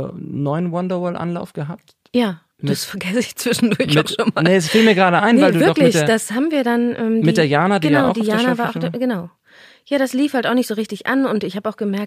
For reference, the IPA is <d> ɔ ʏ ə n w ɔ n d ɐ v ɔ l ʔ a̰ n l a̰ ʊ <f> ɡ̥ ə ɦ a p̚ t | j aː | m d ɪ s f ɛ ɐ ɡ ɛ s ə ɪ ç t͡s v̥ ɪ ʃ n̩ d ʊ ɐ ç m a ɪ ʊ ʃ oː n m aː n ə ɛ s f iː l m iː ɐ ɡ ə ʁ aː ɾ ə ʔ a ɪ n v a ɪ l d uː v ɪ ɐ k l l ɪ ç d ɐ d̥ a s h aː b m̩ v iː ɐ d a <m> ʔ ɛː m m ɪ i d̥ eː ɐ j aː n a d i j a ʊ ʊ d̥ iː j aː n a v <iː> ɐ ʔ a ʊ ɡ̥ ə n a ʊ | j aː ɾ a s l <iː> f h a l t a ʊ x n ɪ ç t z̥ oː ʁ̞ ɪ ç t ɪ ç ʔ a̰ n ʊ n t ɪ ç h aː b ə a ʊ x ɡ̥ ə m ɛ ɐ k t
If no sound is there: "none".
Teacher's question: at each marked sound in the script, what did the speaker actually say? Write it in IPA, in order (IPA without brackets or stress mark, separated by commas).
n, f, n, aː, iː